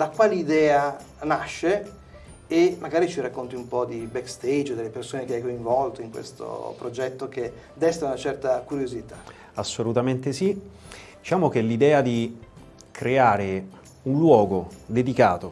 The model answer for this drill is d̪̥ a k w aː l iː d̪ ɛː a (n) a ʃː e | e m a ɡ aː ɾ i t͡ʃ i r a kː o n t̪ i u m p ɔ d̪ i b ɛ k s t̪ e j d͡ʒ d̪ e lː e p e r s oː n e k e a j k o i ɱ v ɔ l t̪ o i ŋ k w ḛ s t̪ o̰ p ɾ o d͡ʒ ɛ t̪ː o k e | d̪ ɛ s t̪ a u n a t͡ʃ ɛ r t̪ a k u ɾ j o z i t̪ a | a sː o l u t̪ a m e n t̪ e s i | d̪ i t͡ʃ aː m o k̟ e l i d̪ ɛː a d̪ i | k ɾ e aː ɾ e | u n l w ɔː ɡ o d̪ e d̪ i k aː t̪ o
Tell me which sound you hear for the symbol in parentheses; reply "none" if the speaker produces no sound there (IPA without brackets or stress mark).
n